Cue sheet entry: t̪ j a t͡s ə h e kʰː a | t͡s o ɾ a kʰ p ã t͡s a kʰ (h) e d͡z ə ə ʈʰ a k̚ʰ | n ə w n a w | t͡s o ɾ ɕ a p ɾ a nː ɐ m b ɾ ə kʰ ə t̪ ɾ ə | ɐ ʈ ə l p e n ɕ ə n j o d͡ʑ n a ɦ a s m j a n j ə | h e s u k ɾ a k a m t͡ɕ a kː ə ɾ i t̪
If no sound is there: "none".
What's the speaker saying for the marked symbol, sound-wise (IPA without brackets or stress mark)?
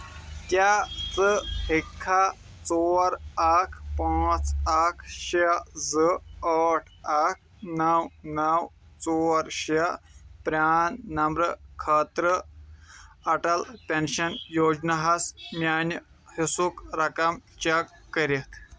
ɕ